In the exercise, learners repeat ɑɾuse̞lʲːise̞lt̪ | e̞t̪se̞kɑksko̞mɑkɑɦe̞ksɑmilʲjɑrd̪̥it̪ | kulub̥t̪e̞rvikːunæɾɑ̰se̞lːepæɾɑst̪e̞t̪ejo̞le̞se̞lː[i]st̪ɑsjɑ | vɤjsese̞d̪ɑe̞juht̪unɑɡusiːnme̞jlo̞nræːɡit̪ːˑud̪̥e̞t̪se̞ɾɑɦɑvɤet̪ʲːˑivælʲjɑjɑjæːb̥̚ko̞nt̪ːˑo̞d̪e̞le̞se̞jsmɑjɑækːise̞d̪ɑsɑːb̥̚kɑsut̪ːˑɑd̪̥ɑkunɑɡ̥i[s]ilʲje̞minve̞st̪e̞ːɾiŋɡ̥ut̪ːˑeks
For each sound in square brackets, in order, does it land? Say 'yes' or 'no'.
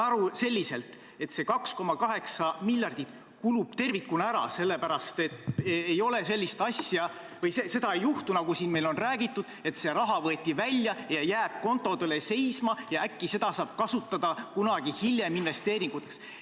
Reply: yes, no

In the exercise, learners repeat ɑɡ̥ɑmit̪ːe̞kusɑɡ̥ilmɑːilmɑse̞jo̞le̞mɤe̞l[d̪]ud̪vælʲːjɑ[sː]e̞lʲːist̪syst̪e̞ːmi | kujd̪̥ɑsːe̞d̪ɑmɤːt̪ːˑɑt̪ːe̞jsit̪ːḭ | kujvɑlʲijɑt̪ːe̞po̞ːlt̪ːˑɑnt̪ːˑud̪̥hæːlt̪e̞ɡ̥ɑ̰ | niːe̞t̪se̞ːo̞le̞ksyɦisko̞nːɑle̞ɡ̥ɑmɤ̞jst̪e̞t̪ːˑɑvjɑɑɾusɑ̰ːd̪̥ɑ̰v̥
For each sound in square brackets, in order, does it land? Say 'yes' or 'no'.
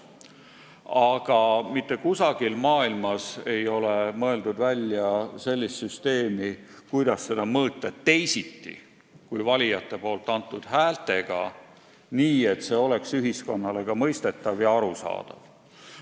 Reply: yes, no

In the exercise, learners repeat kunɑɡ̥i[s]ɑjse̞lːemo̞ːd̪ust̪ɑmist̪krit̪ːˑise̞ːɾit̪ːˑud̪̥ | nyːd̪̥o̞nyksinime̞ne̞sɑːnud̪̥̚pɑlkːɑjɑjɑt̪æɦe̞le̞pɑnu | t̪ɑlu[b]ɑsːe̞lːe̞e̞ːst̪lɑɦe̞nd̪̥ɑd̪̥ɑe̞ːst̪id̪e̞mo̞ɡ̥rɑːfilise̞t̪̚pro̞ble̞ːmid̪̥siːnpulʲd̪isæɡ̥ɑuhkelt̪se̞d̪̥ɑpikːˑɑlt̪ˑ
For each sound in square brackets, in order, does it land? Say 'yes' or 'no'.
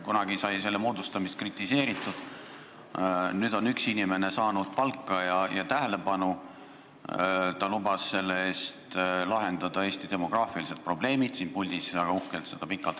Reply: yes, yes

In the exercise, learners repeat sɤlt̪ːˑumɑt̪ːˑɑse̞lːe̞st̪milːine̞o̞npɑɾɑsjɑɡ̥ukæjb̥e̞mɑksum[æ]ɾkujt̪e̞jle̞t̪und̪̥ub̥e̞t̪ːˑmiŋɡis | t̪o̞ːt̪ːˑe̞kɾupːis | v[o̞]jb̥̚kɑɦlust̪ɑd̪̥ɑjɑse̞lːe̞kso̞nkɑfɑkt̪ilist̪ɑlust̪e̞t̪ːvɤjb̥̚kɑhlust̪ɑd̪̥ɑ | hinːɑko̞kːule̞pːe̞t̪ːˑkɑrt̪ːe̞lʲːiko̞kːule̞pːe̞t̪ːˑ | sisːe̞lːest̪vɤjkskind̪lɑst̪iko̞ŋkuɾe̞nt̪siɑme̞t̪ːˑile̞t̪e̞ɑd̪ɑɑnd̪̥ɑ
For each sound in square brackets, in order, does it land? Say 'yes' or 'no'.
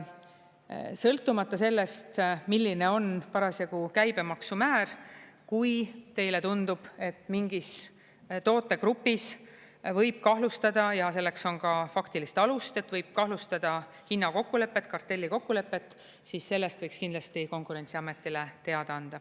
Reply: no, no

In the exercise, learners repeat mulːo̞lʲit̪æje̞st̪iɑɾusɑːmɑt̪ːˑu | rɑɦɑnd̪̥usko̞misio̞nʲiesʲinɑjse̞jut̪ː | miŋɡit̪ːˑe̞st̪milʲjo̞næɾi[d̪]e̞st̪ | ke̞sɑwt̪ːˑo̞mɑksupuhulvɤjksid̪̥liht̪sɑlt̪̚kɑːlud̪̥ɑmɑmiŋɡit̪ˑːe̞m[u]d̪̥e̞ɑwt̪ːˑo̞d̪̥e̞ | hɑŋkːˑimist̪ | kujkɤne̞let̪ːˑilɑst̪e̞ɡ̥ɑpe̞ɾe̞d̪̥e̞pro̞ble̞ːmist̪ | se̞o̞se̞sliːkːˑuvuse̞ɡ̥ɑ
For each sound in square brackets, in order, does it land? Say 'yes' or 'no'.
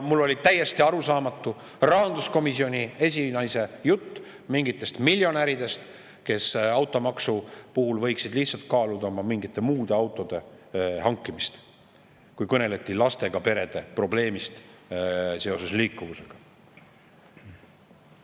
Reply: yes, no

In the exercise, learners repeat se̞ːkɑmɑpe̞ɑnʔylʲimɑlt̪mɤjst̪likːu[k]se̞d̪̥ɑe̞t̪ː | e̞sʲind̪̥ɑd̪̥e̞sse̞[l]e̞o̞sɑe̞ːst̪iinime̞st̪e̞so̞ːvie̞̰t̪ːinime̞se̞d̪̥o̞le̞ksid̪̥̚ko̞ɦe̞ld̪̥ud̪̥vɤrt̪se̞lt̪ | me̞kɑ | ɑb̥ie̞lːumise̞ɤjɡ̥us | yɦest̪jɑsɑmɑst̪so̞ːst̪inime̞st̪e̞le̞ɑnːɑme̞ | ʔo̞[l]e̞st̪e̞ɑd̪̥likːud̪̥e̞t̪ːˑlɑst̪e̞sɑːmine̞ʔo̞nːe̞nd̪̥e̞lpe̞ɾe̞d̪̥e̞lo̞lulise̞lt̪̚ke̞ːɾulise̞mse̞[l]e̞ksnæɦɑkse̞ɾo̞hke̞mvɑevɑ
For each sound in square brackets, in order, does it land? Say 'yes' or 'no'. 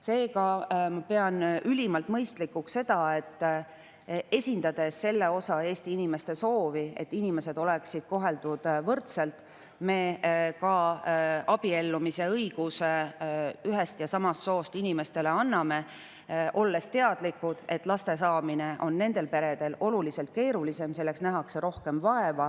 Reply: yes, no, no, no

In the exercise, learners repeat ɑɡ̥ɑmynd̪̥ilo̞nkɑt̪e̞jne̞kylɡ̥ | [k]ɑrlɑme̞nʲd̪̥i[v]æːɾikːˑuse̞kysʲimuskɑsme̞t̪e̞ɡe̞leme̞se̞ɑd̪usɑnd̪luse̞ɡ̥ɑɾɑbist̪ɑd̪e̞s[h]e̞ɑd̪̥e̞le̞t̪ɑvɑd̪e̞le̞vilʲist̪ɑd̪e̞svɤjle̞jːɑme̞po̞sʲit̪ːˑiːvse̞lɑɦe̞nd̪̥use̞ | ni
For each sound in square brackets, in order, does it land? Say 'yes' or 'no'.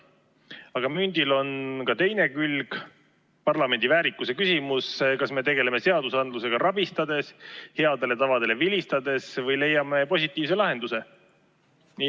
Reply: no, yes, yes

